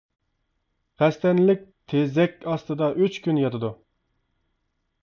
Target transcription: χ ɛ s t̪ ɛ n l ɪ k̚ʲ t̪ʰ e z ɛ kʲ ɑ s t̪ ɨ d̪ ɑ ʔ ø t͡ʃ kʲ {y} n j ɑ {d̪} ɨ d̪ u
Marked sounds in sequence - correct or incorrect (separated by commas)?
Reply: correct, incorrect